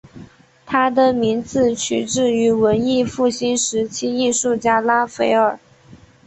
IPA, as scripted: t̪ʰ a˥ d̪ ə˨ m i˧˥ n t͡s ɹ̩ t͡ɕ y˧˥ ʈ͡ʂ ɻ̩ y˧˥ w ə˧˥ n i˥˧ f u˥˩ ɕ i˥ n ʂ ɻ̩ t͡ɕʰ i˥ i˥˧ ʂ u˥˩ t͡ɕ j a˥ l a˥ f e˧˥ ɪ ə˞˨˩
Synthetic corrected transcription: t̪ʰ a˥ d̪ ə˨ m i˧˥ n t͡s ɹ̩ t͡ɕʰ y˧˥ ʈ͡ʂ ɻ̩ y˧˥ w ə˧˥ n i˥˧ f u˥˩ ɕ i˥ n ʂ ɻ̩ t͡ɕʰ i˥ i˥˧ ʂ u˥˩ t͡ɕ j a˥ l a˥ f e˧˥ ɪ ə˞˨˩